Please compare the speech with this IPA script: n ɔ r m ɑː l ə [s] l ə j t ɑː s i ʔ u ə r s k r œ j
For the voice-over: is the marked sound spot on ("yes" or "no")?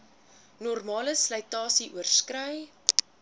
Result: yes